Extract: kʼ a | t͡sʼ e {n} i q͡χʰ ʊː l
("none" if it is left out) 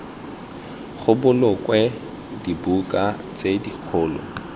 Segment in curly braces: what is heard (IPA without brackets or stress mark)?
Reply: d